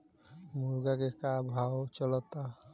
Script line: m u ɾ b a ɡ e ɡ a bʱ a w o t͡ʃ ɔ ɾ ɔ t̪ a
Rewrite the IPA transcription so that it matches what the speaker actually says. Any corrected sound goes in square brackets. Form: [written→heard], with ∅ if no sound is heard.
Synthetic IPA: m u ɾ [b→ɡ] a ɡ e [ɡ→k] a bʱ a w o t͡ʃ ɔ [ɾ→l] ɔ t̪ a